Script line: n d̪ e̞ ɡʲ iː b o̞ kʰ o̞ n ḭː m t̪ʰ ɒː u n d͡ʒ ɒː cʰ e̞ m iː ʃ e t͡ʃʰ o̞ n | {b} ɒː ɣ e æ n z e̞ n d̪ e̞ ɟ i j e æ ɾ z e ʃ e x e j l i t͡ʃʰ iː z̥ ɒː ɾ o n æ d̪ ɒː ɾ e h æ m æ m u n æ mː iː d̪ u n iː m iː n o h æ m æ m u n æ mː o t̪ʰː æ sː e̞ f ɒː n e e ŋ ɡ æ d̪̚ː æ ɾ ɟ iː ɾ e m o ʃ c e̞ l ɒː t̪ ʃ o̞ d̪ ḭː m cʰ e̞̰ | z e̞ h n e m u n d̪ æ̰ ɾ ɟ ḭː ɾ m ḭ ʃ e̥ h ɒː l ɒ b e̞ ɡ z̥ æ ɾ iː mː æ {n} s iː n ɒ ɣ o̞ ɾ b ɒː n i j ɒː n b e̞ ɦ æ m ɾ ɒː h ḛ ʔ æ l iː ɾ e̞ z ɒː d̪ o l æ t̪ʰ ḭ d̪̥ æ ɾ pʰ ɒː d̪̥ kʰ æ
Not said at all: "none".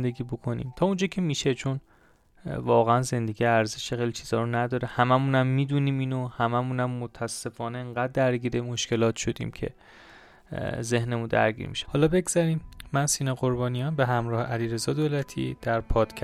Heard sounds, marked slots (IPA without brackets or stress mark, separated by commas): v, n